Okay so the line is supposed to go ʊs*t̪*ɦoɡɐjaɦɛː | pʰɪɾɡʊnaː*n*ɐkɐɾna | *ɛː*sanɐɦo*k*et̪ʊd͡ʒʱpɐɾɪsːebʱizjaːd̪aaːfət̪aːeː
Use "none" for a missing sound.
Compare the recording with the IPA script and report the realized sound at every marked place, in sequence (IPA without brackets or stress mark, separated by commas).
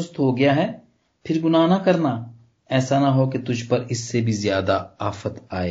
t̪, n, ɛː, k